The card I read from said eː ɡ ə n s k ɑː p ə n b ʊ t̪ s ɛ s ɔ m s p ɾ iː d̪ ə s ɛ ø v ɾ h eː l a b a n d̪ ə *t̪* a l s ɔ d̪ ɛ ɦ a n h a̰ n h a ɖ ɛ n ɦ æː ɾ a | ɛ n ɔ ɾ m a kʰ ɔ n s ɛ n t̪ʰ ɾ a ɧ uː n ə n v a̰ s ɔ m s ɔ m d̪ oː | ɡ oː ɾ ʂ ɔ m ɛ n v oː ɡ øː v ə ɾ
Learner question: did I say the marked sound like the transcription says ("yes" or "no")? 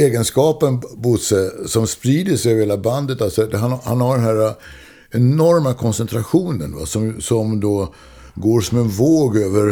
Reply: yes